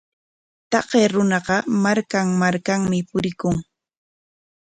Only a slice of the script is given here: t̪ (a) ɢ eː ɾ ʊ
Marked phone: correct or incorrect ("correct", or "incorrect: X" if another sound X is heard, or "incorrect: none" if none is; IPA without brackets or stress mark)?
incorrect: ɑ